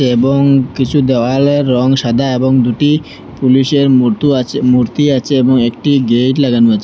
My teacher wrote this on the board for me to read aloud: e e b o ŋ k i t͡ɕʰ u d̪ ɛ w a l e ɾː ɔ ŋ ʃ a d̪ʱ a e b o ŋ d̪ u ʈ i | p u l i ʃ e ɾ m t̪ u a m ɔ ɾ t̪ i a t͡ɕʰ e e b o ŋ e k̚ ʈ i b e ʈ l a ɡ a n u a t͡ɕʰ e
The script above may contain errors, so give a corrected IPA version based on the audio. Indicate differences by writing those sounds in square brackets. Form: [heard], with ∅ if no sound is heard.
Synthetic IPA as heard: e e b o ŋ k i t͡ɕʰ u d̪ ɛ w a l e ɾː ɔ ŋ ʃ a d̪ʱ a e b o ŋ d̪ u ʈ i | p u l i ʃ e ɾ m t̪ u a m [u] ɾ t̪ i a t͡ɕʰ e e b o ŋ e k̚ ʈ i [ɡ] e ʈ l a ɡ a n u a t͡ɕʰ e